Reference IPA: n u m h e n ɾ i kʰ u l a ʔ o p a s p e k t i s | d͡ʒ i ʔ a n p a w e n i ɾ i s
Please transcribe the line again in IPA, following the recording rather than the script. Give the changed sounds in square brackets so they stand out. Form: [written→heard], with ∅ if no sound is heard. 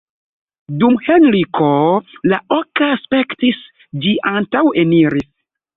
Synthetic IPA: [n→d] u m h e n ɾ i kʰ [u→o] l a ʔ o [p→k] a s p e k t i s | d͡ʒ i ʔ a n [p→t] a w e n i ɾ i s